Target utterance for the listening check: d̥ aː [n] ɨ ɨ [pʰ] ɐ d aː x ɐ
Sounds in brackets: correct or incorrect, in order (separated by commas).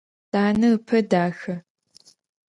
correct, correct